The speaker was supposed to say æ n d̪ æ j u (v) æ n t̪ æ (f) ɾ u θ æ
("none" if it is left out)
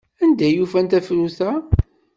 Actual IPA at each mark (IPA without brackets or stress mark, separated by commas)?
f, f